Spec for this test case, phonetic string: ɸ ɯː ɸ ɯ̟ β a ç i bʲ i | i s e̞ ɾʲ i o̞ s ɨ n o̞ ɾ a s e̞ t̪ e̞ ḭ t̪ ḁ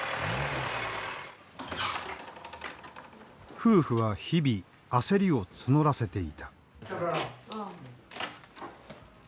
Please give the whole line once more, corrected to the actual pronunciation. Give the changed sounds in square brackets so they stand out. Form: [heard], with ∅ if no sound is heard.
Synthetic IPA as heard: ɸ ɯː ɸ ɯ̟ β a ç i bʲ i | [a] s e̞ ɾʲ i o̞ [t͡s] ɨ n o̞ ɾ a s e̞ t̪ e̞ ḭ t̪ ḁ